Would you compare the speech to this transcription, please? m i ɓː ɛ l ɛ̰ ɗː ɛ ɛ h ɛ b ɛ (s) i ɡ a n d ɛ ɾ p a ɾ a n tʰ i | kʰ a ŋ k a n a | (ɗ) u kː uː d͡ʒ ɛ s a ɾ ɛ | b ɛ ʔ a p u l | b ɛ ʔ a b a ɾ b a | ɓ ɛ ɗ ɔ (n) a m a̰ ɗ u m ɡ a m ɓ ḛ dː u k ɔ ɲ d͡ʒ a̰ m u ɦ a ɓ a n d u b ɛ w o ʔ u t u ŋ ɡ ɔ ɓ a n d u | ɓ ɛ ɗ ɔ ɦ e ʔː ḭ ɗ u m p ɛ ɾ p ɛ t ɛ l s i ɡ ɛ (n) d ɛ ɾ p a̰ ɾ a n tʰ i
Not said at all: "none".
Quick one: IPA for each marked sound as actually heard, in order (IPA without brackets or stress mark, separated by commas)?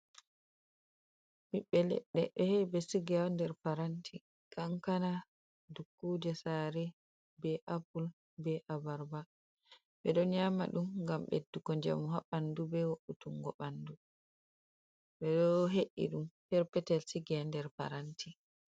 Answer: s, d, ɲ, n